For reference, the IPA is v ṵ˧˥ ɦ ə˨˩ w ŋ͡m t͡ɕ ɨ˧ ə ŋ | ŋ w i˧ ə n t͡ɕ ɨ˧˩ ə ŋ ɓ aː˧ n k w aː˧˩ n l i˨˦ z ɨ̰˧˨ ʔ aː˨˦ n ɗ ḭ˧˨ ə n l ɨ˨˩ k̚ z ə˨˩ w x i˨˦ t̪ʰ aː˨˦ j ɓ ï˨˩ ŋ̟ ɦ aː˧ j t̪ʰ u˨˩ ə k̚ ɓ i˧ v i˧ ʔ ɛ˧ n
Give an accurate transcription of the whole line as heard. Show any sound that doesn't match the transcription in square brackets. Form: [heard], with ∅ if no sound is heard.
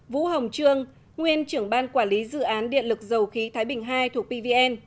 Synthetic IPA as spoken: v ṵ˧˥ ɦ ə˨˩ w ŋ͡m t͡ɕ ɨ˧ ə ŋ | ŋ w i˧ ə n t͡ɕ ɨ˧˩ ə ŋ ɓ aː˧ n k w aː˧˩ n l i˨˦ z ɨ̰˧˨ ʔ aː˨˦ n ɗ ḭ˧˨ ə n l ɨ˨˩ k̚ z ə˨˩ w x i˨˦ t̪ʰ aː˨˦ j ɓ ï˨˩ ŋ̟ ɦ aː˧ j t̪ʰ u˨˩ ə k̚ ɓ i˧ v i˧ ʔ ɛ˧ n